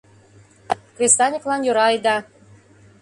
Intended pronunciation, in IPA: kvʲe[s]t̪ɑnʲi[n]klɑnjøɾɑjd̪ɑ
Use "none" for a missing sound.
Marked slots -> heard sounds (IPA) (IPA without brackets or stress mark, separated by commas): s, none